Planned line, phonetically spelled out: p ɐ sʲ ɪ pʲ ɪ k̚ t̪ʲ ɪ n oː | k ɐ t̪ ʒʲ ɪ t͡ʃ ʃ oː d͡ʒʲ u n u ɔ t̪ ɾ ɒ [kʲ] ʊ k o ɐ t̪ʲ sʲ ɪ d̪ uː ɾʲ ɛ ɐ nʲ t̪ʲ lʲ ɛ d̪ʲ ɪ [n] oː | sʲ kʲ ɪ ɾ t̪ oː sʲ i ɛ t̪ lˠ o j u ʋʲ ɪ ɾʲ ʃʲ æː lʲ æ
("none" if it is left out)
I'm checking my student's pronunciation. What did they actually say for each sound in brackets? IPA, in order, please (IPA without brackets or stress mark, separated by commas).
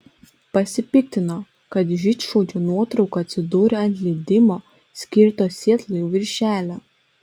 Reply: none, m